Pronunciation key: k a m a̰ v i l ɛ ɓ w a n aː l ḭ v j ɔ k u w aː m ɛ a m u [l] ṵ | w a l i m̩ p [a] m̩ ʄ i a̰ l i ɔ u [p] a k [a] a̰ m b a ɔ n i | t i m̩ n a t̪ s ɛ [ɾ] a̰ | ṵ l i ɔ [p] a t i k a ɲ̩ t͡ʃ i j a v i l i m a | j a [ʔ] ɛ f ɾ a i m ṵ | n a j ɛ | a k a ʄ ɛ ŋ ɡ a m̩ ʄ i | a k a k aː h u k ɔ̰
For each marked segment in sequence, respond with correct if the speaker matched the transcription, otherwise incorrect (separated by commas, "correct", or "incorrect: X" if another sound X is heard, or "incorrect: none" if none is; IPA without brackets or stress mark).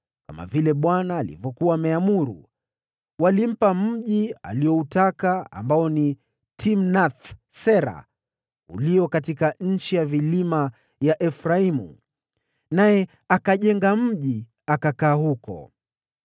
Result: incorrect: ɾ, correct, incorrect: t, correct, correct, incorrect: k, correct